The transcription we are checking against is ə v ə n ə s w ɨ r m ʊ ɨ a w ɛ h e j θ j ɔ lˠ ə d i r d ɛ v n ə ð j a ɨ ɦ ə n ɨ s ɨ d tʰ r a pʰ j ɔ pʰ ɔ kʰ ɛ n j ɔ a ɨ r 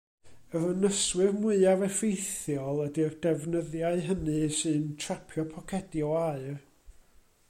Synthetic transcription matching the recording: ə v ə n ə s w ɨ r m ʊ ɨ a v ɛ f e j θ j ɔ lˠ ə d i r d ɛ v n ə ð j a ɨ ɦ ə n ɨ s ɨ n tʰ r a pʰ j ɔ pʰ ɔ kʰ ɛ d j ɔ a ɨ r